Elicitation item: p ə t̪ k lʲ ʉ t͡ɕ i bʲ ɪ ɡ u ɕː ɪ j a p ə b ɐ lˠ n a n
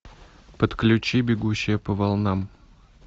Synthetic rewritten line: p ə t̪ k lʲ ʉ t͡ɕ i bʲ ɪ ɡ u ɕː ɪ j ə p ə v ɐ lˠ n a m